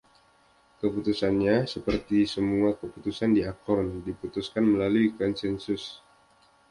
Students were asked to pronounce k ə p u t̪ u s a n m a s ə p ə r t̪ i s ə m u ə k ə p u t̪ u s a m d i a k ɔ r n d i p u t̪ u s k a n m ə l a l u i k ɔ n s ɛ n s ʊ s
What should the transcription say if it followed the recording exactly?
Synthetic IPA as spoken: k ə p u t̪ u s a n ɲ a s ə p ə r t̪ i s ə m u a k ə p u t̪ u s a n d i a k ɔ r n d i p u t̪ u s k a n m ə l a l u i k ɔ n s ɛ n s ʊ s